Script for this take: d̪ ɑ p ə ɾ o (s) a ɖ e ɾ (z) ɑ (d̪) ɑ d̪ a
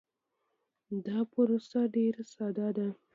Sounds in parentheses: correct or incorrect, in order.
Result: correct, incorrect: s, correct

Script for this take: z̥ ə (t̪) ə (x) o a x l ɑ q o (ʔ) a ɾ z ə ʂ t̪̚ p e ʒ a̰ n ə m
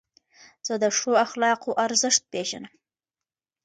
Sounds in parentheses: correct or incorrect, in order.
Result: incorrect: d̪, incorrect: ʂ, correct

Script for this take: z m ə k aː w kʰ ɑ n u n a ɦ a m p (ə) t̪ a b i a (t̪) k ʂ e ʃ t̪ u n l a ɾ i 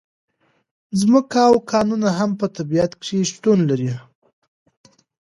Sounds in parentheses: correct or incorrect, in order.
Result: correct, correct

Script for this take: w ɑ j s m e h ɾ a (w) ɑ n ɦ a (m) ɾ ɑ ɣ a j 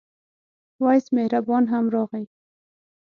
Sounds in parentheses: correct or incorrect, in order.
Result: incorrect: b, correct

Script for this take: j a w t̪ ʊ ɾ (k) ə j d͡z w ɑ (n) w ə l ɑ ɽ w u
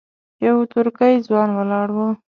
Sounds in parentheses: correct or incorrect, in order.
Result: correct, correct

